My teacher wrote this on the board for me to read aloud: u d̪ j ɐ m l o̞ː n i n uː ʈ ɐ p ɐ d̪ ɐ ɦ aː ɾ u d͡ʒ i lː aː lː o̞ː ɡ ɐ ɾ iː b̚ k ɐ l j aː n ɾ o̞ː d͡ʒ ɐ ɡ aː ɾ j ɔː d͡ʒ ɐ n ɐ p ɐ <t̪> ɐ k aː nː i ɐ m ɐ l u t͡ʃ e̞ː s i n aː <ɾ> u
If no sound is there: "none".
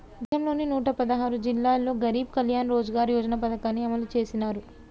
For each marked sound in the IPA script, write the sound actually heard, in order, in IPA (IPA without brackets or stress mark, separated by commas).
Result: d̪, ɾ